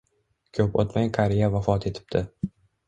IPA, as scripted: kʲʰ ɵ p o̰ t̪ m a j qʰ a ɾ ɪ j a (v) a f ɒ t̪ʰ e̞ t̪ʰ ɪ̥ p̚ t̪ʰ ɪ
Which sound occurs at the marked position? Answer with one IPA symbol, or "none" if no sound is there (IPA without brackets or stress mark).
v